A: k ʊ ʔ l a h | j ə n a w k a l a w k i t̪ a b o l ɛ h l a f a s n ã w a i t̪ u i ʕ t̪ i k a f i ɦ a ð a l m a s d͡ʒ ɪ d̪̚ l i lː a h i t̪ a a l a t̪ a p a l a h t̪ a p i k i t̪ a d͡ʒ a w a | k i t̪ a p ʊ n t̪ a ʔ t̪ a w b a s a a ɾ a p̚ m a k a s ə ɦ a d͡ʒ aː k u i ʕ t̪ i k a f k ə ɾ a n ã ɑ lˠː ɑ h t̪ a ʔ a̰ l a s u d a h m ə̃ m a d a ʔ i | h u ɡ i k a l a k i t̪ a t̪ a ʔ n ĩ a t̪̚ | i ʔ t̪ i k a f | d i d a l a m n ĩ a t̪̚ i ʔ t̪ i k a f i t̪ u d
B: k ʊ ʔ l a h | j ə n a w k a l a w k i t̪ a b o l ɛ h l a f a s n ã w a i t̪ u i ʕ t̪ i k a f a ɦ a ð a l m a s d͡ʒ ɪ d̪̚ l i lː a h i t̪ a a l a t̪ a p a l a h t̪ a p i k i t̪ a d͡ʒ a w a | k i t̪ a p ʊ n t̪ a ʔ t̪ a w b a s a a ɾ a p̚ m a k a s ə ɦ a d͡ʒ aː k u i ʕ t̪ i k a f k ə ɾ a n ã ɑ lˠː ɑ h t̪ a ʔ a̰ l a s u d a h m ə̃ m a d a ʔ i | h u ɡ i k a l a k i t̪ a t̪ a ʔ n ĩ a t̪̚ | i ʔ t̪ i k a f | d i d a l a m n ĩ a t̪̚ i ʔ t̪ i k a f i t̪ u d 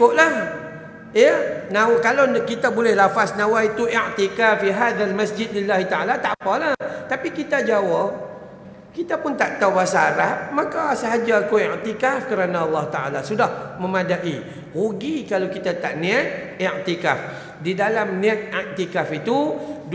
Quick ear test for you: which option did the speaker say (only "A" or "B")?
A